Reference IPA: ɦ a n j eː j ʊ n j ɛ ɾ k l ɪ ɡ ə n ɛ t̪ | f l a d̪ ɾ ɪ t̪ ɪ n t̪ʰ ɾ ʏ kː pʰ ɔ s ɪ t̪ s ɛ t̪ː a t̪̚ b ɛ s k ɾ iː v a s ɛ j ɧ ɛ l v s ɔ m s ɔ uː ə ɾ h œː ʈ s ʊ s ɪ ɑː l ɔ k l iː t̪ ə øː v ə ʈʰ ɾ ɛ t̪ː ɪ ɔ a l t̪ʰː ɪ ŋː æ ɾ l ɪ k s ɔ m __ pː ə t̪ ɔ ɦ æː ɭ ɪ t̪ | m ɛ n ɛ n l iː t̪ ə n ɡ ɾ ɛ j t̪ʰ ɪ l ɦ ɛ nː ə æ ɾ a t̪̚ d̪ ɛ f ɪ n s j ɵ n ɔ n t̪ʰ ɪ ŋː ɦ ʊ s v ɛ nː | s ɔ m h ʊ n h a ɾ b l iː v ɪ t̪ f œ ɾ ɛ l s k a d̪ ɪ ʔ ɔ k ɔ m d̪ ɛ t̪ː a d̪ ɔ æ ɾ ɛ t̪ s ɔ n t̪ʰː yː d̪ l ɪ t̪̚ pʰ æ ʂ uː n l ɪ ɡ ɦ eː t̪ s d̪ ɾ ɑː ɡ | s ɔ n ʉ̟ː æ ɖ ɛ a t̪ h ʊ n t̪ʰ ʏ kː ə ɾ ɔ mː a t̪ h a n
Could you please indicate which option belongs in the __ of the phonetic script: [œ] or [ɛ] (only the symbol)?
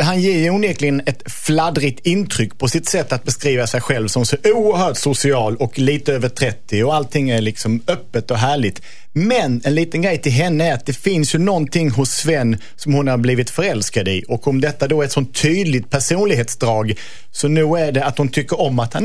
œ